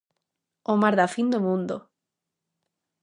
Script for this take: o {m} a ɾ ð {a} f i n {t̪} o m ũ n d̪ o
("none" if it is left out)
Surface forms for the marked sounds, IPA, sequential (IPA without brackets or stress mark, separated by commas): m, a, d̪